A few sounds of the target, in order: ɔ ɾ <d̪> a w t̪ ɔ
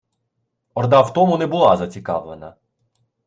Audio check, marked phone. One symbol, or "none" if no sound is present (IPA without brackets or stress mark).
d̪